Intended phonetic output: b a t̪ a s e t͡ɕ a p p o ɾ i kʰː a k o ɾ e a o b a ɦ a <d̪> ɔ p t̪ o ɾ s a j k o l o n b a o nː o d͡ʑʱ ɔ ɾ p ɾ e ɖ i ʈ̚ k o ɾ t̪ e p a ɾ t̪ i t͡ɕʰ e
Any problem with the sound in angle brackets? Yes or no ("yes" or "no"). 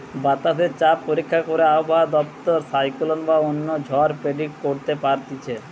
no